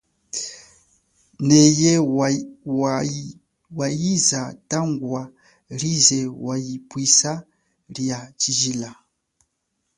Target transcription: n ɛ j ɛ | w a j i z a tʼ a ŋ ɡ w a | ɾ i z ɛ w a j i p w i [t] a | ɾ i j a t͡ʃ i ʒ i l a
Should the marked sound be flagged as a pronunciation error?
yes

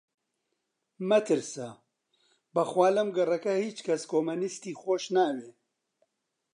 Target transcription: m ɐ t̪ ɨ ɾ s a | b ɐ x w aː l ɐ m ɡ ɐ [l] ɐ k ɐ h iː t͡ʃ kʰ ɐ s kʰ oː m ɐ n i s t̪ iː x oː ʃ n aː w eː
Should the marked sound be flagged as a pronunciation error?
yes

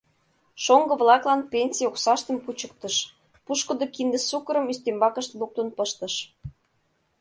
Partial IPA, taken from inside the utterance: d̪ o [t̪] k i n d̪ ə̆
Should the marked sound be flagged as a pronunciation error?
yes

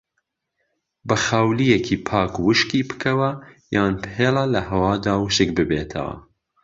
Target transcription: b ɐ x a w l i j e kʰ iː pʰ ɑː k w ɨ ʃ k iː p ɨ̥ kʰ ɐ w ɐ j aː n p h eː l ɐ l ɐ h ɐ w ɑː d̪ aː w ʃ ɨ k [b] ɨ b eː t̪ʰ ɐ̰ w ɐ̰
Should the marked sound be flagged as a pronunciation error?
no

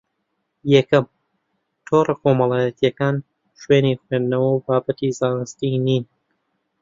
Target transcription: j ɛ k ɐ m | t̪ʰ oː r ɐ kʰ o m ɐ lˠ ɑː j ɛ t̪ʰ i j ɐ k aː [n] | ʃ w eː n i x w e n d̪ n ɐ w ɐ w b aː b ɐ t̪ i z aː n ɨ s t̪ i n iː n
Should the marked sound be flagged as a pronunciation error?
no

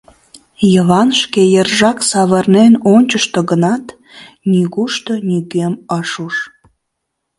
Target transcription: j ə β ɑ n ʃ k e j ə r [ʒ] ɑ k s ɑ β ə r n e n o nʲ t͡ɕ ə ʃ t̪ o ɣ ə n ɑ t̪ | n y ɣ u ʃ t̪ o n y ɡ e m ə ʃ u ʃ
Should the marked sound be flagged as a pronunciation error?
no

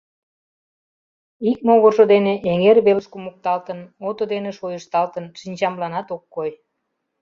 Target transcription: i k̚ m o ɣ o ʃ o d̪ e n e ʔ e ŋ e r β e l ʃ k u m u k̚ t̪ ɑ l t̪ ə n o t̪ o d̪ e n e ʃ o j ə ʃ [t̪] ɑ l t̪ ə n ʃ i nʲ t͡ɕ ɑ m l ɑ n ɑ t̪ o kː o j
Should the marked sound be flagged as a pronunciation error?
no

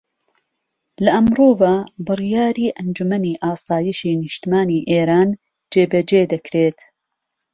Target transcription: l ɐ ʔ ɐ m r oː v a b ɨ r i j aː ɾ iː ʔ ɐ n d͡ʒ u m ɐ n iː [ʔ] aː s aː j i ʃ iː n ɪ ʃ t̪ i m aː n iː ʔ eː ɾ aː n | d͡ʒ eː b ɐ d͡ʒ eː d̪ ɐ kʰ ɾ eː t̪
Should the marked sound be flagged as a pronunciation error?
no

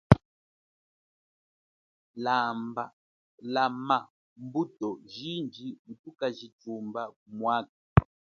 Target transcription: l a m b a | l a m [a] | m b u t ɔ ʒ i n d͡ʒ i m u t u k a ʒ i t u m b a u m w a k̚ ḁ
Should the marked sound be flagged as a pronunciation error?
no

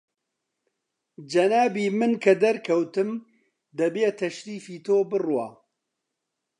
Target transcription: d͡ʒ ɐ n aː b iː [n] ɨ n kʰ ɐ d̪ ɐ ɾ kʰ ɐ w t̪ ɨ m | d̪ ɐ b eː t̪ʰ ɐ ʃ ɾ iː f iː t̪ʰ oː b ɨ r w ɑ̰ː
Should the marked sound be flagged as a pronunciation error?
yes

